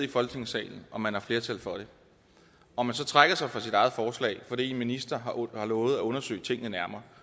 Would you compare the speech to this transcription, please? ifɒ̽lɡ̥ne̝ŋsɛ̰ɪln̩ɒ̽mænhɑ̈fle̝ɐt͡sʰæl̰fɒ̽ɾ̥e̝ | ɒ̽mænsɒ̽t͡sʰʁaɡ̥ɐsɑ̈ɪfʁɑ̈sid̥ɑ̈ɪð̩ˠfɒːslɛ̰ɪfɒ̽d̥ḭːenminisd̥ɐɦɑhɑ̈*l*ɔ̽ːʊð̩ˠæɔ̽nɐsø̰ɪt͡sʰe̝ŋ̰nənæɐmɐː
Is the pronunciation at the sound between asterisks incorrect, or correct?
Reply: correct